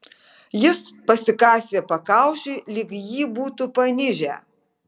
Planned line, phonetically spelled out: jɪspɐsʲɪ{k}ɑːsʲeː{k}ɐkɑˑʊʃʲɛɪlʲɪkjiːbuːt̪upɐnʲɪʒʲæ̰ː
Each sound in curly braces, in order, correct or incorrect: correct, incorrect: p

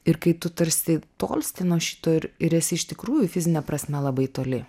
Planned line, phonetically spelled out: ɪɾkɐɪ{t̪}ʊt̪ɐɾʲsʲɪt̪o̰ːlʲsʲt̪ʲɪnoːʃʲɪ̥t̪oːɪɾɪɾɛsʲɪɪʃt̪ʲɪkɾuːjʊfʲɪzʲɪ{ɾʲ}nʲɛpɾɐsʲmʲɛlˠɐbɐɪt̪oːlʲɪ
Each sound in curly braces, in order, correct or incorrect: correct, incorrect: none

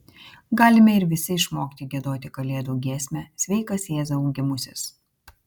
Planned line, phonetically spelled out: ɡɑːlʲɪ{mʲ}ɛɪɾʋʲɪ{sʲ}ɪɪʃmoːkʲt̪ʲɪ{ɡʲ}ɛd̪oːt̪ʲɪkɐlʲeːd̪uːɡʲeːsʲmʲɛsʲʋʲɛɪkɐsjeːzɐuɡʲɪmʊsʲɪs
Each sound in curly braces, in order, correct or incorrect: correct, correct, correct

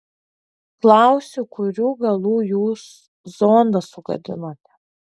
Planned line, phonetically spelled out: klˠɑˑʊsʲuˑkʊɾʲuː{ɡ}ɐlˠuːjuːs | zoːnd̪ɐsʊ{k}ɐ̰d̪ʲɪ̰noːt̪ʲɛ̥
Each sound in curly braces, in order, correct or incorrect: correct, incorrect: ɡ

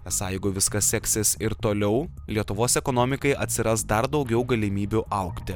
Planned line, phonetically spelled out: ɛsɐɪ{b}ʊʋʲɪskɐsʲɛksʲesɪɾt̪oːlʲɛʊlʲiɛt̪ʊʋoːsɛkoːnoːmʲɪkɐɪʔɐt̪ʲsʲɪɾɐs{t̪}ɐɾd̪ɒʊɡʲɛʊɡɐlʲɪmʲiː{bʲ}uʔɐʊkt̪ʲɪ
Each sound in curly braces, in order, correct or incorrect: incorrect: ɡ, incorrect: d̪, correct

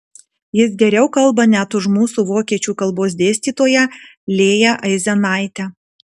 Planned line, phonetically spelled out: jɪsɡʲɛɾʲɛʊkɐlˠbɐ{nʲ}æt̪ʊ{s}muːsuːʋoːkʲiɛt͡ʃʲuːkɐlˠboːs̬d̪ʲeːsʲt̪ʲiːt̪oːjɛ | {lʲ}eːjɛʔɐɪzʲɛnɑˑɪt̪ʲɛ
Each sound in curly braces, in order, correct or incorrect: correct, incorrect: ʃ, correct

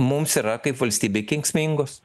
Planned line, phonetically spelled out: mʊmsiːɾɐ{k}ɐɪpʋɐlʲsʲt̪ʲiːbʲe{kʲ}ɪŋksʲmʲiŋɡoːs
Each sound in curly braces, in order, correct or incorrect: correct, correct

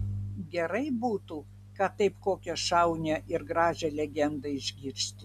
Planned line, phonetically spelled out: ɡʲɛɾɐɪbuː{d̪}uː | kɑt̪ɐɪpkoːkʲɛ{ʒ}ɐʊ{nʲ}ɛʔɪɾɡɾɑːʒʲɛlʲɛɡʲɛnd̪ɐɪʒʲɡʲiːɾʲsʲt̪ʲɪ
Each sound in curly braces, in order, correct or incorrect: incorrect: t̪, incorrect: ʃ, correct

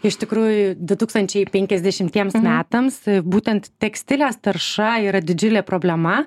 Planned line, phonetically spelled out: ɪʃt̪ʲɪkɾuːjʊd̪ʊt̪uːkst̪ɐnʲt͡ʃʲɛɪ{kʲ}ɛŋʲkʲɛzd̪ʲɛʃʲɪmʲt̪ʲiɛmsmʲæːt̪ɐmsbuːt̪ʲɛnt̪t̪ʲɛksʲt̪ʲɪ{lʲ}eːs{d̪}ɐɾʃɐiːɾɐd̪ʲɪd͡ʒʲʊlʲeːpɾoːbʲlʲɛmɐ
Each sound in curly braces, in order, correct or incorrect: incorrect: pʲ, correct, incorrect: t̪

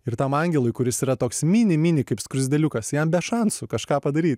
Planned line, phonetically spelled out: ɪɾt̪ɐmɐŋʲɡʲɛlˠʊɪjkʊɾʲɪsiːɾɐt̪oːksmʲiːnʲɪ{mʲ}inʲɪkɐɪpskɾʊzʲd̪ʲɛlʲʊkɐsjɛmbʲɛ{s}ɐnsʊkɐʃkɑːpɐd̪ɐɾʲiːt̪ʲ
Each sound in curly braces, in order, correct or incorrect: correct, incorrect: ʃ

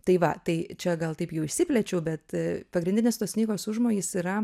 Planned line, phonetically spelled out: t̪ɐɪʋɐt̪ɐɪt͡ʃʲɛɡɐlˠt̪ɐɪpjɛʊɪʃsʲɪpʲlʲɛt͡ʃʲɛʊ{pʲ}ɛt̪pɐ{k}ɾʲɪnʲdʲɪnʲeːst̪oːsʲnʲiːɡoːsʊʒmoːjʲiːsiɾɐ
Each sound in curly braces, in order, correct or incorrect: incorrect: bʲ, incorrect: ɡ

